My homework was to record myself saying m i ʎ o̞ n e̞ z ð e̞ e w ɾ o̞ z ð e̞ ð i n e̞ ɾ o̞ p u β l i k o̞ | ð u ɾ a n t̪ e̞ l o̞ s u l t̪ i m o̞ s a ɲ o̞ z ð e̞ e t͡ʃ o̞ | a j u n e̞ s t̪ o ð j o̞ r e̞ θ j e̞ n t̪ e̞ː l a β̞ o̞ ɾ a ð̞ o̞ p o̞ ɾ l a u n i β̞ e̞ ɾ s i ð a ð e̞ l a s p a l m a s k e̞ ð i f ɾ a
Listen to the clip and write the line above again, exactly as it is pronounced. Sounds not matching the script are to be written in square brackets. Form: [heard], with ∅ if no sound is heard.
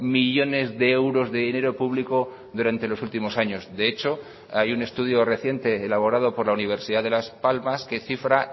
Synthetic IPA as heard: m i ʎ o̞ n e̞ z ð e̞ e w ɾ o̞ z ð e̞ ð i n e̞ ɾ o̞ p u β l i k o̞ | ð u ɾ a n t̪ e̞ l o̞ s u l t̪ i m o̞ s a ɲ o̞ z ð e̞ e t͡ʃ o̞ | a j u n e̞ s t̪ [u] ð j o̞ r e̞ θ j e̞ n t̪ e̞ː l a β̞ o̞ ɾ a ð̞ o̞ p o̞ ɾ l a u n i β̞ e̞ ɾ s i ð a ð e̞ l a s p a l m a s k e̞ [θ] i f ɾ a